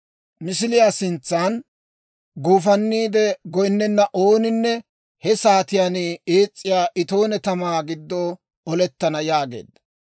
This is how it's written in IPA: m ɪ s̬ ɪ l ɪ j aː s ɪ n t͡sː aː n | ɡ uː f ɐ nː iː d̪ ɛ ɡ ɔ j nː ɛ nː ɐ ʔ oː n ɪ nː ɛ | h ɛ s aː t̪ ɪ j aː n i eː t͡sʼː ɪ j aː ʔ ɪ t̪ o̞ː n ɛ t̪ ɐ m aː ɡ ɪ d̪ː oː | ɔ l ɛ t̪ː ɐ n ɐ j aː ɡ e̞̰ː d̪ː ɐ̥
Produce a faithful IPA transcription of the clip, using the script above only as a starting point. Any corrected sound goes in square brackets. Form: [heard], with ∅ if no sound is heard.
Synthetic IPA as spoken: m ɪ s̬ ɪ l ɪ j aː s ɪ n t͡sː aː n | ɡ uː f ɐ nː iː d̪ ɛ ɡ ɔ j nː ɛ nː ɐ ʔ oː n ɪ nː ɛ | h ɛ s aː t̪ ɪ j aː n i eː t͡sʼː ɪ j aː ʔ ɪ t̪ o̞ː n ɛ t̪ ɐ m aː ɡ ɪ d̪ː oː | ɔ l ɛ t̪ː ɐ n ɐ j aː ɡ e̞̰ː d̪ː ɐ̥